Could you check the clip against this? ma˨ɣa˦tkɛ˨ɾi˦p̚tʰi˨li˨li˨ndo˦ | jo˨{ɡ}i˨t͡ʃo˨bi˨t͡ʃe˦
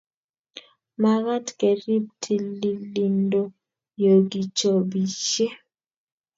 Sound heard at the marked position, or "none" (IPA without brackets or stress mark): ɡ